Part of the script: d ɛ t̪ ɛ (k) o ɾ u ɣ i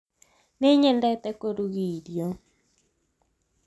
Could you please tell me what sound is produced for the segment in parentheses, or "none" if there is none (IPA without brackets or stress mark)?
k